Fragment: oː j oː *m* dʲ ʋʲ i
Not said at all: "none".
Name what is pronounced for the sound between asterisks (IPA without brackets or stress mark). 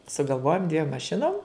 m